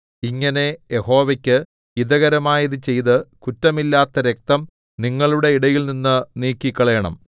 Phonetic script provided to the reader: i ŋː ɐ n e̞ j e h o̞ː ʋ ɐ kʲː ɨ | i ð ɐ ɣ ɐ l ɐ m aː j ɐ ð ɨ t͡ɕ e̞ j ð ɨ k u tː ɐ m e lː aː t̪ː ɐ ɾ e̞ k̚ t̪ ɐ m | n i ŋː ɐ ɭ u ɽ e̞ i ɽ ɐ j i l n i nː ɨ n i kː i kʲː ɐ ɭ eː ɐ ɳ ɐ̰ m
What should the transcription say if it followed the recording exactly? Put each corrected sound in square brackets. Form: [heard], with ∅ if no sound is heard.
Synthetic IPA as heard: i ŋː ɐ n e̞ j e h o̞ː ʋ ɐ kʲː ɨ | i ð ɐ ɣ ɐ [ɾ] ɐ m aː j ɐ ð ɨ t͡ɕ e̞ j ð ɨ k u tː ɐ m [i] lː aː t̪ː ɐ ɾ e̞ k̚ t̪ ɐ m | n i ŋː ɐ ɭ u ɽ e̞ i ɽ ɐ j i l n i nː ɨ n [iː] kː i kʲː ɐ ɭ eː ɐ ɳ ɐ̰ m